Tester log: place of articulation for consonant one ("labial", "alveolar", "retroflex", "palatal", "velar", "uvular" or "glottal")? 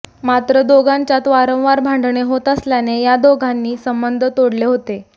labial